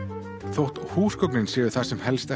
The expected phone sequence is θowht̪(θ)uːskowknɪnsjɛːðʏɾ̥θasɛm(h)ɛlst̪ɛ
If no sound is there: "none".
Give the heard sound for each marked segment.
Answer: h, h

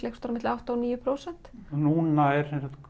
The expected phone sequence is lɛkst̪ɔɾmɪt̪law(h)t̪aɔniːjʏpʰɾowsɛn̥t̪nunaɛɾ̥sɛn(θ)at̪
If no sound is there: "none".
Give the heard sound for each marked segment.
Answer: h, s

